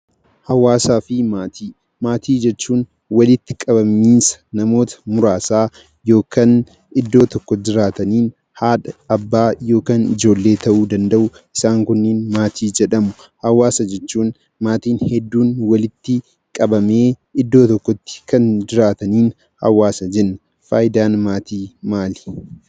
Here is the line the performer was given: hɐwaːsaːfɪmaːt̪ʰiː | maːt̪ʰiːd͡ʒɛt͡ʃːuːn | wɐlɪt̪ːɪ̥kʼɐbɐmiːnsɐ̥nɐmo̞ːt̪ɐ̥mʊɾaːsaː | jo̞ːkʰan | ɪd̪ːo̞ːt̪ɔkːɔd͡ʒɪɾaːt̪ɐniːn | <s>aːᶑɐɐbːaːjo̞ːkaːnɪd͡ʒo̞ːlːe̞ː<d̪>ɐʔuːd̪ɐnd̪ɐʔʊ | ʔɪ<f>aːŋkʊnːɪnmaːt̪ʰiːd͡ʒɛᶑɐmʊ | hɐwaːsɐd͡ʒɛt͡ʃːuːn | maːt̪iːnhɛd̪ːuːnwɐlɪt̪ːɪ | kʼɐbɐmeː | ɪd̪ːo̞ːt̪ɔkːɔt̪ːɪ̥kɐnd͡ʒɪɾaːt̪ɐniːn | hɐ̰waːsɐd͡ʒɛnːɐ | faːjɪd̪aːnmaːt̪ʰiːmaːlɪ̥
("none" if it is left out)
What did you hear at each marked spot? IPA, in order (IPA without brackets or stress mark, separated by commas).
h, t̪, s